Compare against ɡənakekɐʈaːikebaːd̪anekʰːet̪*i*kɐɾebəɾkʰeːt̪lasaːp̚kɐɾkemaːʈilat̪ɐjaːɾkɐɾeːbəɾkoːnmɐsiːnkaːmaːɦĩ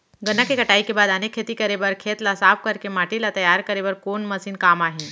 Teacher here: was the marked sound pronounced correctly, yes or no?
yes